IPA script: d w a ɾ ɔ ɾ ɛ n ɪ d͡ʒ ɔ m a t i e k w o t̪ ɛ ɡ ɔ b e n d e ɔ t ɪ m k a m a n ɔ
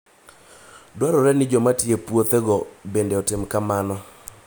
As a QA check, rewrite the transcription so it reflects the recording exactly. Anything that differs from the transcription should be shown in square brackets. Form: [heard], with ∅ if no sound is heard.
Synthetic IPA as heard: d w a ɾ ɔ ɾ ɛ n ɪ d͡ʒ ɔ m a t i e [p] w o t̪ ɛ ɡ ɔ b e n d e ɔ t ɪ m k a m a n ɔ

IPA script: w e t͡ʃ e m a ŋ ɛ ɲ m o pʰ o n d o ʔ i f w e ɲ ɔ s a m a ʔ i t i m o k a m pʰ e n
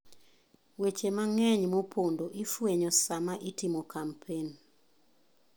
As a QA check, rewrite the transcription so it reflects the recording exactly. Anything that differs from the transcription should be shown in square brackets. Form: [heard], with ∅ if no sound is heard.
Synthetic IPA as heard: w e t͡ʃ e m a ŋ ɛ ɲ m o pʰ o n d o ʔ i f w e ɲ ɔ s a m a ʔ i t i m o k a m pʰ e n

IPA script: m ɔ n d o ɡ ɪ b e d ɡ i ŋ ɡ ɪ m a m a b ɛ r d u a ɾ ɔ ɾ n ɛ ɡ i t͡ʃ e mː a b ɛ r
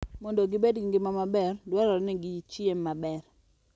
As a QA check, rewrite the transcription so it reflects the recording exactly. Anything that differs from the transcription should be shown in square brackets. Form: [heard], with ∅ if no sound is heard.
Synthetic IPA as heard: m ɔ n d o ɡ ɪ b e d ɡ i ŋ ɡ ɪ m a m a b ɛ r d [w] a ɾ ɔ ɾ n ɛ ɡ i t͡ʃ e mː a b ɛ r

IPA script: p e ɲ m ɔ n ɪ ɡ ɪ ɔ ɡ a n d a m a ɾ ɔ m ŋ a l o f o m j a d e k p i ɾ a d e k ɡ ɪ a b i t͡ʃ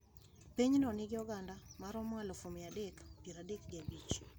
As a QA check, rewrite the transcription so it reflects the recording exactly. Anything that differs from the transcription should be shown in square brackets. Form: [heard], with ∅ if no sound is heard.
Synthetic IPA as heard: p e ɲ [n] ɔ n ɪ ɡ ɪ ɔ ɡ a n d a m a ɾ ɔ m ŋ a l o f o m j a d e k p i ɾ a d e k ɡ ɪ a b i t͡ʃ

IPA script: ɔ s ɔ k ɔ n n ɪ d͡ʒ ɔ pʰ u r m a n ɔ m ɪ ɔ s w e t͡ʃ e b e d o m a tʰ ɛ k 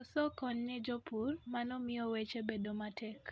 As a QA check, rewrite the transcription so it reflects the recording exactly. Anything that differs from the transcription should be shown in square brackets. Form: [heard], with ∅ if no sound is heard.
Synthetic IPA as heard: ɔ s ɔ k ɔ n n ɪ d͡ʒ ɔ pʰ u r m a n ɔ m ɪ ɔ [∅] w e t͡ʃ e b e d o m a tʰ ɛ k

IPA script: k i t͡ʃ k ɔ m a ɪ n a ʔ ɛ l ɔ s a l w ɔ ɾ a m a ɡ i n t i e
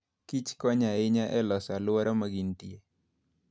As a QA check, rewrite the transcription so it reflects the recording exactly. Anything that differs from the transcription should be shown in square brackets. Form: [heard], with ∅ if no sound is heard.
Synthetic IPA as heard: k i t͡ʃ k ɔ [ɲ] a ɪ [ɲ] a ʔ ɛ l ɔ s a l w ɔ ɾ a m a ɡ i n t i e

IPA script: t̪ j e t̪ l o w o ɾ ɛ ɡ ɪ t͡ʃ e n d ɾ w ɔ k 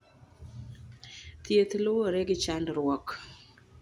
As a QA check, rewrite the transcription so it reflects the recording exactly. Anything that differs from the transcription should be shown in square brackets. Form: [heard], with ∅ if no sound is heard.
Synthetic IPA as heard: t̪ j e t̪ l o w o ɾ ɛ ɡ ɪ t͡ʃ [a] n d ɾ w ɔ k

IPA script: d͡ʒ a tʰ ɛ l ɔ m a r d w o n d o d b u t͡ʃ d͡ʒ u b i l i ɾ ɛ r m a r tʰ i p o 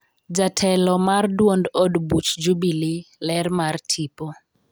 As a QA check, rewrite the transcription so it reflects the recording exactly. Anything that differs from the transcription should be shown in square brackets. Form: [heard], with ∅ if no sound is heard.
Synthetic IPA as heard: d͡ʒ a tʰ ɛ l ɔ m a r d w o n d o d b u t͡ʃ d͡ʒ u b i l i [l] ɛ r m a r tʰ i p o

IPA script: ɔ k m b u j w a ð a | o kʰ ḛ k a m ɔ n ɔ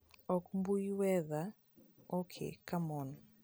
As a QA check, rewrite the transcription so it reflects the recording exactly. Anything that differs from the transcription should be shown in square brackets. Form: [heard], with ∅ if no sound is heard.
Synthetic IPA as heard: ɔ k m b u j w [ɛ] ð a | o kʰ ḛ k a m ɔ n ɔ

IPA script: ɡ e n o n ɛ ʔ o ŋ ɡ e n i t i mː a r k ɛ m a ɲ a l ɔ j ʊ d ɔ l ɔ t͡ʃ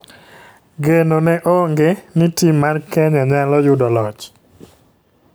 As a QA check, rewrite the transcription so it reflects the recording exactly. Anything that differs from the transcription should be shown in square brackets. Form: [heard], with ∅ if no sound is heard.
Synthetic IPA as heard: ɡ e n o n ɛ ʔ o ŋ ɡ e n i t i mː a r k ɛ [ɲ] a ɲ a l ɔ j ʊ d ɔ l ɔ t͡ʃ

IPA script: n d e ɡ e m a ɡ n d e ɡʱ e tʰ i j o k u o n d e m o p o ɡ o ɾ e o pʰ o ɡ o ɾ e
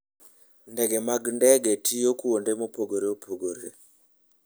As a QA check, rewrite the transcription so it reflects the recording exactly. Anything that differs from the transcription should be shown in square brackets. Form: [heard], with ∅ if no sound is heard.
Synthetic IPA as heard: n d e ɡ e m a ɡ n d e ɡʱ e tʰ i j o k u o n d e m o p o ɡ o ɾ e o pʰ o ɡ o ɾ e

